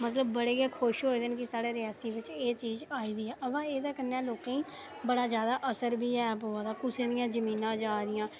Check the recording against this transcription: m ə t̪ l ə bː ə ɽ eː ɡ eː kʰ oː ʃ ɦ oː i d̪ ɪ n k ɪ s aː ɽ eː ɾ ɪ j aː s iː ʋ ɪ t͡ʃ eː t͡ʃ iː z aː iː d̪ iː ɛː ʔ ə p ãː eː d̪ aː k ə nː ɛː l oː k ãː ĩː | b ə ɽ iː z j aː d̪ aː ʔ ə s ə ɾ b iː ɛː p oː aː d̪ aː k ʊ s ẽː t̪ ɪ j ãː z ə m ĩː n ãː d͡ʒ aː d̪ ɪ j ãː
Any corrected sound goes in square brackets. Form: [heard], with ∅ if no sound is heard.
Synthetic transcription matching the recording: m ə t̪ l ə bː ə ɽ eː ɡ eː kʰ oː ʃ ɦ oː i d̪ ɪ n k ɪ s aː ɽ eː ɾ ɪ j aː s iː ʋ ɪ t͡ʃ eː t͡ʃ iː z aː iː d̪ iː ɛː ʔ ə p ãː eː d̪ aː k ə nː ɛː l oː k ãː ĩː | b ə ɽ [aː] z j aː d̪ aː ʔ ə s ə ɾ b iː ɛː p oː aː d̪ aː k ʊ s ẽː [d̪] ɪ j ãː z ə m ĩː n ãː d͡ʒ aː d̪ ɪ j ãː

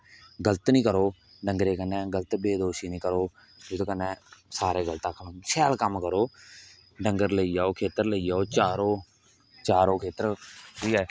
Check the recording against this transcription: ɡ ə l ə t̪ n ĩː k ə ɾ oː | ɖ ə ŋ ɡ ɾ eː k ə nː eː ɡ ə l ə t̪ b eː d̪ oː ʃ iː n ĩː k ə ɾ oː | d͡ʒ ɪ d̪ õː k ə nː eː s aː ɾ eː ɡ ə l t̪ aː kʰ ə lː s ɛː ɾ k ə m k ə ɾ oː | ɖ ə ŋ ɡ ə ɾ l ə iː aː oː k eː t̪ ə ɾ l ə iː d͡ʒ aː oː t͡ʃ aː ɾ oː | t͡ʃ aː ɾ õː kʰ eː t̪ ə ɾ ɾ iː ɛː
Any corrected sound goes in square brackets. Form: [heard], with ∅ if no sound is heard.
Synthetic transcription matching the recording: ɡ ə l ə t̪ n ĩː k ə ɾ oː | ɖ ə ŋ ɡ ɾ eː k ə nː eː ɡ ə l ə t̪ b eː d̪ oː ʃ iː n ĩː k ə ɾ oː | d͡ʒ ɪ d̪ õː k ə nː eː s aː ɾ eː ɡ ə l t̪ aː kʰ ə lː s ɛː [l] k ə m k ə ɾ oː | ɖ ə ŋ ɡ ə ɾ l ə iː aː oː [kʰ] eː t̪ ə ɾ l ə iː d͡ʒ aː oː t͡ʃ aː ɾ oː | t͡ʃ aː ɾ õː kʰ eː t̪ ə ɾ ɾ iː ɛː

